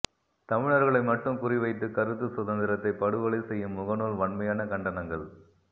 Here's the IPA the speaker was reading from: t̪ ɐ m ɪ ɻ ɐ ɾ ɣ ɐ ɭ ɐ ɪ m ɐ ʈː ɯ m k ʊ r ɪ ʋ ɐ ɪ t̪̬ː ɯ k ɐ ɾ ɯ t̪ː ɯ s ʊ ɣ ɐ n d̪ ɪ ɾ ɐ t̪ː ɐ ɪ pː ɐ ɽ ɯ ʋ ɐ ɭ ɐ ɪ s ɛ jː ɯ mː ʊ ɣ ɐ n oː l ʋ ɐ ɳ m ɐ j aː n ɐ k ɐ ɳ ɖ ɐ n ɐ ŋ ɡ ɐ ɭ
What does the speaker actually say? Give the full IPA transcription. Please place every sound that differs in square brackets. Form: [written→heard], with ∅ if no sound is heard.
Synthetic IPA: t̪ ɐ m ɪ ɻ ɐ ɾ ɣ ɐ ɭ ɐ ɪ m ɐ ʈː ɯ m k ʊ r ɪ ʋ ɐ ɪ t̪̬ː ɯ k ɐ ɾ ɯ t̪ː ɯ s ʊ [ɣ→ð] ɐ n d̪ ɪ ɾ ɐ t̪ː ɐ ɪ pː ɐ ɽ ɯ ʋ ɐ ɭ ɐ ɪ s ɛ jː ɯ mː ʊ ɣ ɐ n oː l ʋ ɐ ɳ m ɐ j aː n ɐ k ɐ ɳ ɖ ɐ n ɐ ŋ ɡ ɐ ɭ